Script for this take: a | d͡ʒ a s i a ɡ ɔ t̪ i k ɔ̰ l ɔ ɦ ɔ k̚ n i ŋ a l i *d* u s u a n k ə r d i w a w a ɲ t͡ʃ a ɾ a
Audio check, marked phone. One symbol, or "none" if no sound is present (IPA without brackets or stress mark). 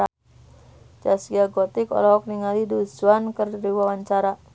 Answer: d